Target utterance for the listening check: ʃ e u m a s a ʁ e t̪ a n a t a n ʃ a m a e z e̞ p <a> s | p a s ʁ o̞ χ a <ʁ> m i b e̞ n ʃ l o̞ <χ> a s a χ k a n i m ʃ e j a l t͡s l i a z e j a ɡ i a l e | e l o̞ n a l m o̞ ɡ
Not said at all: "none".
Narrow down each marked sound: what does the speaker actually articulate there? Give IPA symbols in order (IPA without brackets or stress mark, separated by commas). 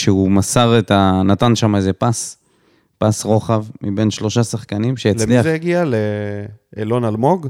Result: a, v, ʃ